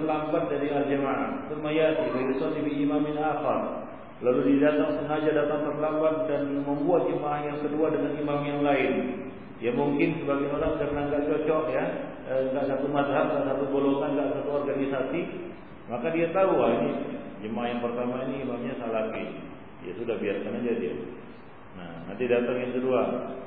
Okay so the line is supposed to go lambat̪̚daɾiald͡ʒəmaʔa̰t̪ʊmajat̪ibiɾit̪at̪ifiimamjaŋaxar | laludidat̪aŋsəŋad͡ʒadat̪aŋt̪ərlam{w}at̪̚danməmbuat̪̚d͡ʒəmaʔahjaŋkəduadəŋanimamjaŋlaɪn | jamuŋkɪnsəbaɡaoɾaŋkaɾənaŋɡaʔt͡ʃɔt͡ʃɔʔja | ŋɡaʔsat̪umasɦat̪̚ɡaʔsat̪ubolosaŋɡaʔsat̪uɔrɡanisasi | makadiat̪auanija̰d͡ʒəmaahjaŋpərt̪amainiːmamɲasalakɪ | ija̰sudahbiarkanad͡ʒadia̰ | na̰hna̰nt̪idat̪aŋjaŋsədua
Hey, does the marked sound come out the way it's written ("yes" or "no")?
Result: no